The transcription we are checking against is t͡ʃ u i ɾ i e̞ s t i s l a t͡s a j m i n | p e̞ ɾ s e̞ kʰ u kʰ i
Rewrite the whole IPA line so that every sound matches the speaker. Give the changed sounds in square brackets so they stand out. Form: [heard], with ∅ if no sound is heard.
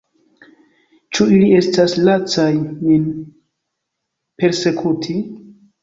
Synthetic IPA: t͡ʃ u i [l] i e̞ s t [a] s l a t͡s a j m i n | p e̞ ɾ s e̞ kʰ u [tʰ] i